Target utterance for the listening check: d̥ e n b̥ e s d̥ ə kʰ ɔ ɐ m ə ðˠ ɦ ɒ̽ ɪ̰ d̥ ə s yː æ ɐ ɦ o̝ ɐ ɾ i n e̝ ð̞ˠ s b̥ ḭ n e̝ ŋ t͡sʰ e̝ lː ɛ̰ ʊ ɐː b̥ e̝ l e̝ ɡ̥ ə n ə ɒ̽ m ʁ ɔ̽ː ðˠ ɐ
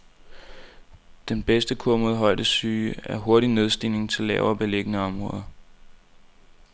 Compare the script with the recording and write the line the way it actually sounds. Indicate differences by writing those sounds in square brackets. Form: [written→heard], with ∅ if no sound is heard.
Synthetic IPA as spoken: d̥ e n b̥ e s d̥ ə kʰ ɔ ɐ m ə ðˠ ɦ ɒ̽ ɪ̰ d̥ ə s yː æ ɐ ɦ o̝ ɐ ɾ i n e̝ ð̞ˠ s [b̥→d̥] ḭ n e̝ ŋ t͡sʰ e̝ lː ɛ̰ ʊ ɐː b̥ e̝ l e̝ ɡ̥ ə n ə ɒ̽ m ʁ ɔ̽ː ðˠ ɐ